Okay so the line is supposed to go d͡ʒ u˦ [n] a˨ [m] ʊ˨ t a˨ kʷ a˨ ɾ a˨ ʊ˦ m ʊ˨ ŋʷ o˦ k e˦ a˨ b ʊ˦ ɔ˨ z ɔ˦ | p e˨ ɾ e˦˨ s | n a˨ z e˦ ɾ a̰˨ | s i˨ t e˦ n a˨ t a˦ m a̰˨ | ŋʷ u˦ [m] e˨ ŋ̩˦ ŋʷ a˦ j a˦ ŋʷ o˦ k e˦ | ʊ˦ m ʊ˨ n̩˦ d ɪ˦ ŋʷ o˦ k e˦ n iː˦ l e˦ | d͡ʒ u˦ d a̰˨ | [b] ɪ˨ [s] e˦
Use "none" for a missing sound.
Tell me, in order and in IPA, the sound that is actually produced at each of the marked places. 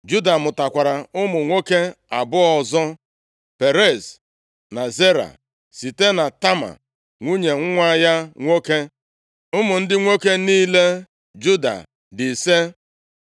d, m, ɲ, d, s

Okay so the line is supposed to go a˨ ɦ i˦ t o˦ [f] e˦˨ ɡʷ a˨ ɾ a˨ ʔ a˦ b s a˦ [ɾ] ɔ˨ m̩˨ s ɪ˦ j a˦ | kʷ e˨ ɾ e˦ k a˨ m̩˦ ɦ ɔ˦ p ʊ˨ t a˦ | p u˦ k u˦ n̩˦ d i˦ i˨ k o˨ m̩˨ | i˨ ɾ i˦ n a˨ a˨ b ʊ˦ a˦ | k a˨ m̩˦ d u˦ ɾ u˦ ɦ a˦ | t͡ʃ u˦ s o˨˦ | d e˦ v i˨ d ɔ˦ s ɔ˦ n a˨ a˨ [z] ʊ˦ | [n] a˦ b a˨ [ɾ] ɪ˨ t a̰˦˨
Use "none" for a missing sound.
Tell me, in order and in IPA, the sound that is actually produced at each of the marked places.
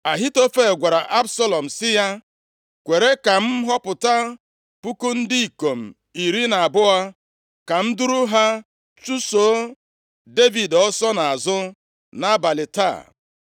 f, l, z, n, l

